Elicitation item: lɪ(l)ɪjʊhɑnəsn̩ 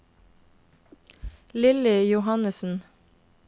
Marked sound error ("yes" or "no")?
no